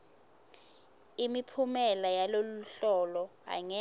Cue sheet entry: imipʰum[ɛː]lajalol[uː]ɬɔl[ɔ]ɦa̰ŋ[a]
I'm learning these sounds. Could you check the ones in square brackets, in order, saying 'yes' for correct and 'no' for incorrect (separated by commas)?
no, no, yes, no